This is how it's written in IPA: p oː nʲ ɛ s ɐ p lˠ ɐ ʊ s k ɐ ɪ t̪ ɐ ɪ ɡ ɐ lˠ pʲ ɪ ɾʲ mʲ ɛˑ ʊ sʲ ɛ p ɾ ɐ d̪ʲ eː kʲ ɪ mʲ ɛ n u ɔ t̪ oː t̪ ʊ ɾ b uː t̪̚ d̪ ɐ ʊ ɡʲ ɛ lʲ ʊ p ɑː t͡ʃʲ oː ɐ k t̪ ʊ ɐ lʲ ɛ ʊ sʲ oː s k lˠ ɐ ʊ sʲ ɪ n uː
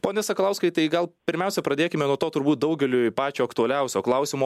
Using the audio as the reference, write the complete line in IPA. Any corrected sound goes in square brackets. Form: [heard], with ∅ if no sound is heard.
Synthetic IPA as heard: p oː nʲ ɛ s ɐ [k] lˠ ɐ ʊ s k ɐ ɪ t̪ ɐ ɪ ɡ ɐ lˠ pʲ ɪ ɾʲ mʲ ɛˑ ʊ sʲ ɛ p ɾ ɐ d̪ʲ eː kʲ ɪ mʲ ɛ n u ɔ t̪ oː t̪ ʊ ɾ b uː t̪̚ d̪ ɐ ʊ ɡʲ ɛ lʲ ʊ p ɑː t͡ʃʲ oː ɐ k t̪ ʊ ɐ lʲ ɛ ʊ sʲ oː [∅] k lˠ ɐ ʊ sʲ ɪ [m] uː